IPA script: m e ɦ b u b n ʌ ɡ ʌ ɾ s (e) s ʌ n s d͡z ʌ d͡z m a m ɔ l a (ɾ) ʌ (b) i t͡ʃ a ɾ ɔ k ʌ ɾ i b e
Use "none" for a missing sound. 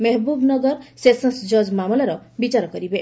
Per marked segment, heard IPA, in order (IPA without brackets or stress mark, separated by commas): e, ɾ, b